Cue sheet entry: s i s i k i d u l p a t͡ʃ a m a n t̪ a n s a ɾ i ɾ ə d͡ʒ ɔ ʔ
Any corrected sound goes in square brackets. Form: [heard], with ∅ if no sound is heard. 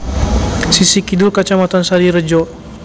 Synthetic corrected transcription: s i s i k i d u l [k] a t͡ʃ a m a [∅] t̪ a n s a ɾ i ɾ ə d͡ʒ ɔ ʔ